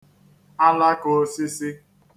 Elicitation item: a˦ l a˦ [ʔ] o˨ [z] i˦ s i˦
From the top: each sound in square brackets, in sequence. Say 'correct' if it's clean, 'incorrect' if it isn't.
incorrect: k, incorrect: s

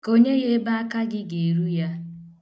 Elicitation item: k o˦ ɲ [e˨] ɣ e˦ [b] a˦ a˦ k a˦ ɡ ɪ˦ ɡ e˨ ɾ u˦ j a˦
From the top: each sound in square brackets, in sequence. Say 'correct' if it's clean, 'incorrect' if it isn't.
incorrect: e˦, correct

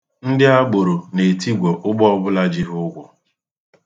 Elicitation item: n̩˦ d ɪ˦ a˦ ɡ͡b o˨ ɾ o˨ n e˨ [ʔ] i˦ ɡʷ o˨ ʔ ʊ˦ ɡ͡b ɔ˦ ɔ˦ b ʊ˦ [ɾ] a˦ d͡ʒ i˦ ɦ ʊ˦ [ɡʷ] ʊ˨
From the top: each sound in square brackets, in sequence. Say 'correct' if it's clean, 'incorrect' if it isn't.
incorrect: t, incorrect: l, correct

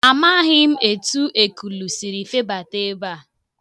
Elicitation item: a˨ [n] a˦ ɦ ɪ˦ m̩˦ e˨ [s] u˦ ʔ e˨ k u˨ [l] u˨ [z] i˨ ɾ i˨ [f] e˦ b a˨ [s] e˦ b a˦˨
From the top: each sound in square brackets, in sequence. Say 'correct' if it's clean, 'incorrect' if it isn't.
incorrect: m, incorrect: t, correct, incorrect: s, correct, incorrect: t

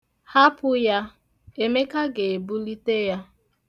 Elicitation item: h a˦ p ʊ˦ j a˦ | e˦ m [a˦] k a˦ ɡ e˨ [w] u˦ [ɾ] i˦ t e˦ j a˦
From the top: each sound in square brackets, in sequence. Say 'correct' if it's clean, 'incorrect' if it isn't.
incorrect: e˦, incorrect: b, incorrect: l

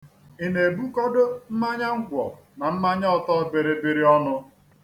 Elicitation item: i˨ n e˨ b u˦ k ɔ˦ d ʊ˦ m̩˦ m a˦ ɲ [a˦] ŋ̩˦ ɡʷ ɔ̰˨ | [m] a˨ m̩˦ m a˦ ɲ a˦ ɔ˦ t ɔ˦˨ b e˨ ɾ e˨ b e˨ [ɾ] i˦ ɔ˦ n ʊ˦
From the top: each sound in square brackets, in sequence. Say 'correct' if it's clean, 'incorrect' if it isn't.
correct, incorrect: n, correct

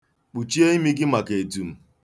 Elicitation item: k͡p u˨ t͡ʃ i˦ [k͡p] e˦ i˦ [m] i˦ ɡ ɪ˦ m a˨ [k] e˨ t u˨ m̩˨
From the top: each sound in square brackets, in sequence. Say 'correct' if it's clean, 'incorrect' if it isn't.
incorrect: none, correct, correct

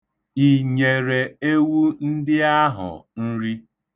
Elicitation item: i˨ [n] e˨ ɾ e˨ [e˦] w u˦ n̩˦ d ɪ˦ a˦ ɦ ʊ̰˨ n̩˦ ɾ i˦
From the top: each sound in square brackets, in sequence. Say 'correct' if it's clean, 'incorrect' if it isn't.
incorrect: ɲ, correct

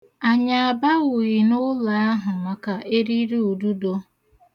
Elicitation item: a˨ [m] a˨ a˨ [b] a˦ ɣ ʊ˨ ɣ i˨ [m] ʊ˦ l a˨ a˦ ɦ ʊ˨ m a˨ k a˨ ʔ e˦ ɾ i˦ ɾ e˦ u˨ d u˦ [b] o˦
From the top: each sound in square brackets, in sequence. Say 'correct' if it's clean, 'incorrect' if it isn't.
incorrect: ɲ, correct, incorrect: n, incorrect: d

